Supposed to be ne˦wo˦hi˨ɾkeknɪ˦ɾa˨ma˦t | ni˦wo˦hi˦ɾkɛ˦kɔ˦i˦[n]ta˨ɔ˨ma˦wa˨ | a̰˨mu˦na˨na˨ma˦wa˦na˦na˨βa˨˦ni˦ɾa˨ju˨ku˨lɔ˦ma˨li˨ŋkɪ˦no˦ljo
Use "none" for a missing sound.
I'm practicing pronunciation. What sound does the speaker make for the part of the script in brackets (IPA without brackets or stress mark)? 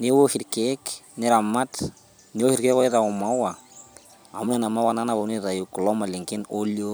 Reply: none